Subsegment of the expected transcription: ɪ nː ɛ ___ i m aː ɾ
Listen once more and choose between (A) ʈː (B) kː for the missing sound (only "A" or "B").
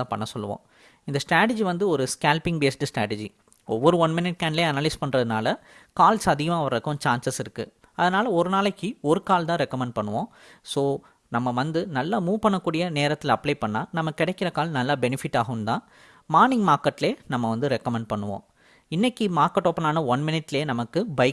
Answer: B